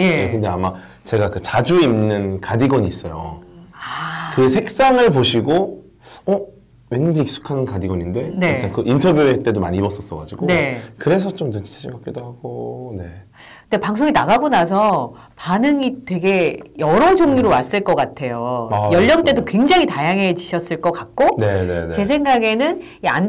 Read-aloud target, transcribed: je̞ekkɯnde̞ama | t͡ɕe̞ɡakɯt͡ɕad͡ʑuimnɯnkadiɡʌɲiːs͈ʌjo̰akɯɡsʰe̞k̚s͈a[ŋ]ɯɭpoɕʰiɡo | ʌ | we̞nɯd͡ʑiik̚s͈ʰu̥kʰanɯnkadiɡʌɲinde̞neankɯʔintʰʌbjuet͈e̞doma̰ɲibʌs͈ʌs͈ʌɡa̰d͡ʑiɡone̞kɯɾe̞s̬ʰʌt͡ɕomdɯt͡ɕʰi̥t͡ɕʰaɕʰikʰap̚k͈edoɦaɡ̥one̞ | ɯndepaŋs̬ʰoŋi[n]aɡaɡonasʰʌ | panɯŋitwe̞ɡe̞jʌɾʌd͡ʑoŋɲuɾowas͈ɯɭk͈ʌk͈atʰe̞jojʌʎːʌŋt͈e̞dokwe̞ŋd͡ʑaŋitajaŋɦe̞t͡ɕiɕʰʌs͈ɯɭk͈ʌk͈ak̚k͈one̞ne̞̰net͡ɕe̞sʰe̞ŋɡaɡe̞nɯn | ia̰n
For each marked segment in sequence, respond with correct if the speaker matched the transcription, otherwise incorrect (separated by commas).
correct, correct